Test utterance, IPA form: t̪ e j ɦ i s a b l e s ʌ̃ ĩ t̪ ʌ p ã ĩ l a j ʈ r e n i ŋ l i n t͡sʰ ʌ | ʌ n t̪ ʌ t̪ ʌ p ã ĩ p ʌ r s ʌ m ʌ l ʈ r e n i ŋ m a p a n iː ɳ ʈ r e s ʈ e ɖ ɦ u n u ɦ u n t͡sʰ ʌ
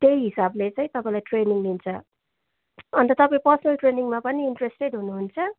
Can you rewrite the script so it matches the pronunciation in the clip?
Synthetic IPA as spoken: t̪ e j ɦ i s a b l e t͡s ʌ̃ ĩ t̪ ʌ p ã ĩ l a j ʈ r e n i ŋ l i n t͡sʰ ʌ | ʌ n t̪ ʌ t̪ ʌ p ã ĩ p ʌ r s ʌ n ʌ l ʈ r e n i ŋ m a p ʌ n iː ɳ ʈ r e s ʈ e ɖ ɦ u n u ɦ u n t͡sʰ ʌ